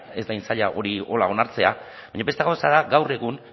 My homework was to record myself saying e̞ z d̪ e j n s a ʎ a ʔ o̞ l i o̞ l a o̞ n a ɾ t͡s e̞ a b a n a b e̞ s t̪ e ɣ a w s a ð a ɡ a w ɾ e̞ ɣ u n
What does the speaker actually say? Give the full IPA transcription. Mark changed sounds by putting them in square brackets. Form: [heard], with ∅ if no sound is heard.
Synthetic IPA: e̞ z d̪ [a] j n s a ʎ a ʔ o̞ [ɾ] i o̞ l a o̞ n a ɾ t͡s e̞ a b a [ɲ] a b e̞ s t̪ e ɣ a w s a ð a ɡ a w [r] e̞ ɣ u n